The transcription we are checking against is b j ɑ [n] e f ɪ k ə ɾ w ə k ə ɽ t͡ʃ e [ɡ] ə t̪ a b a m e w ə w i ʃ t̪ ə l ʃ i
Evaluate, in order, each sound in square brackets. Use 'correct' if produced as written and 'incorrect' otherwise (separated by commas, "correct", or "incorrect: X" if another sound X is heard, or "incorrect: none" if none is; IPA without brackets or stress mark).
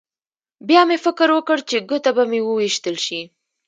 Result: incorrect: m, correct